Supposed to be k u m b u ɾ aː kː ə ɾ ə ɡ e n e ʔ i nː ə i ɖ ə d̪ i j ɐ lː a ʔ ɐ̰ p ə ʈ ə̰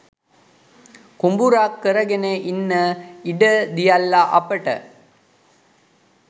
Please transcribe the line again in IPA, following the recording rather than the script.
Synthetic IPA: k u m b u ɾ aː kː ə ɾ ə ɡ e n e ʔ i nː ə i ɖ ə d̪ i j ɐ lː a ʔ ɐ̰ p ə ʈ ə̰

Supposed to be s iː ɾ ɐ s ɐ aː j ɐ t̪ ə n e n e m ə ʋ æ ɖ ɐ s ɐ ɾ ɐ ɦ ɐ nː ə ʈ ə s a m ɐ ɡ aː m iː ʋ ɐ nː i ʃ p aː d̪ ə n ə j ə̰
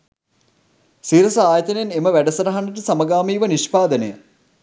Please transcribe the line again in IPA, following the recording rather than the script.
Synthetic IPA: s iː ɾ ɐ s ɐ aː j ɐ t̪ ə n e n e m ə ʋ æ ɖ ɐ s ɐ ɾ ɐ ɦ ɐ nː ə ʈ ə s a m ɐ ɡ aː m iː ʋ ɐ n i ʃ p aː d̪ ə n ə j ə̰

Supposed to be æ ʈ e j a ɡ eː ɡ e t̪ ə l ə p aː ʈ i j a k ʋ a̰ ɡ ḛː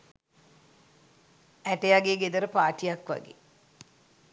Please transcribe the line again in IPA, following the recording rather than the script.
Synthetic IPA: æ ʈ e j a ɡ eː ɡ e d̪ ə ɾ ə p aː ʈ i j a k ʋ a̰ ɡ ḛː

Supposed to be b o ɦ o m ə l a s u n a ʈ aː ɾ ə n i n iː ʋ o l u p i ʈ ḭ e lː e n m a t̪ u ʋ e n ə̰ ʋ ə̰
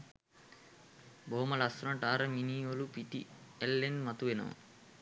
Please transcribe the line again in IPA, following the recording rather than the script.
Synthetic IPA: b o ɦ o m ə l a s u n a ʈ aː ɾ ə m i n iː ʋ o l u p i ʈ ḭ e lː e n m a t̪ u ʋ e n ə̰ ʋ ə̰

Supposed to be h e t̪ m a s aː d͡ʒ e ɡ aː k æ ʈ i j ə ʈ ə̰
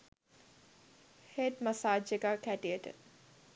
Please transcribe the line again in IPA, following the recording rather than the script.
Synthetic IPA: h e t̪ m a s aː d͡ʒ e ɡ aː k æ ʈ i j ə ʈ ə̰

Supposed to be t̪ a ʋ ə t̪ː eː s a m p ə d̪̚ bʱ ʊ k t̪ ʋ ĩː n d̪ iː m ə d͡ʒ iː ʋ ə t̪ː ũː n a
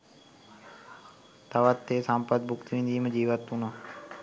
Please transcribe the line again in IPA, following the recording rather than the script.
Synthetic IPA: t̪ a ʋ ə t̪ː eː s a m p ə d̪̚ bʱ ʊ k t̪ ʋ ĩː n d̪ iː m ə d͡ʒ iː ʋ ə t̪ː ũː n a

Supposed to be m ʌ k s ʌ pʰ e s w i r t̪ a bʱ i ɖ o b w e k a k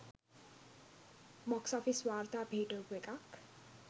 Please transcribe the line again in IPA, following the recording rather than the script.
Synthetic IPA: m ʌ k s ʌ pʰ i s w a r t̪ a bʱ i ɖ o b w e k a k

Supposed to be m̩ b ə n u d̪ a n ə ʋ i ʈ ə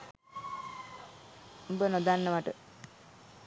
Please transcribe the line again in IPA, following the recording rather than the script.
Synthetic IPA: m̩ b ə n o d̪ a nː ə ʋ a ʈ ə

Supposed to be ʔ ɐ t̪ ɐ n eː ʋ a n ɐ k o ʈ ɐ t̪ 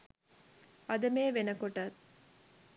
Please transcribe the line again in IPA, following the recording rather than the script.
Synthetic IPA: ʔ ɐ d̪ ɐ m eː ʋ e n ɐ k o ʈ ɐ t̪

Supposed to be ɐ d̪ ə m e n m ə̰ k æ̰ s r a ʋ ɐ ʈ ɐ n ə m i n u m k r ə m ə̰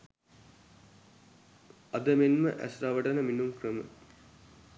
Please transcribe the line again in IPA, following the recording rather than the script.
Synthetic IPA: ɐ d̪ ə m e n m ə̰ ʔ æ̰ s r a ʋ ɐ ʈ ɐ n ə m i n u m k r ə m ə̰

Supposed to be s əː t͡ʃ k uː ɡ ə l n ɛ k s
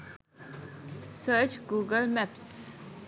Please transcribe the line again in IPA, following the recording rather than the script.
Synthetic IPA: s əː t͡ʃ ɡ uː ɡ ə l m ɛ p s

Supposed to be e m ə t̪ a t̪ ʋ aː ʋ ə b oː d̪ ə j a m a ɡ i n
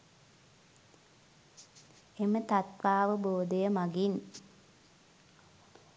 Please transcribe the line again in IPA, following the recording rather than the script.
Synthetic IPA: e m ə t̪ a t̪ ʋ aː ʋ ə b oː d̪ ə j ə m a ɡ i n

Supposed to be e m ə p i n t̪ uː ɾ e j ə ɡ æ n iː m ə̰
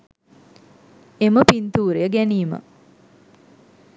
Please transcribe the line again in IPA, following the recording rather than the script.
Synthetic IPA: e m ə p i n t̪ uː ɾ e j ə ɡ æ n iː m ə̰

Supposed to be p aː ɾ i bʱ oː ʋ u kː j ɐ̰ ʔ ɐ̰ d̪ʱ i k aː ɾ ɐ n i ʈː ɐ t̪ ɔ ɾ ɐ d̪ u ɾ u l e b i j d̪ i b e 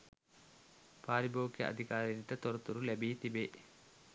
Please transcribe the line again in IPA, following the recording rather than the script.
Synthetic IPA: p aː ɾ i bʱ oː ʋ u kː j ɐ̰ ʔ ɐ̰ d̪ʱ i k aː ɾ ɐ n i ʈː ɐ t̪ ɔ ɾ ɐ t̪ u ɾ u l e b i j t̪ i b e

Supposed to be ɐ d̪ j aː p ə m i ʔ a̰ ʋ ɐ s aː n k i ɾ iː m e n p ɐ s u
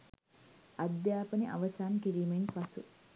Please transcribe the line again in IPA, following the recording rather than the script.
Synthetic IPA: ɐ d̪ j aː p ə n i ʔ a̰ ʋ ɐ s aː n k i ɾ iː m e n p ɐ s u

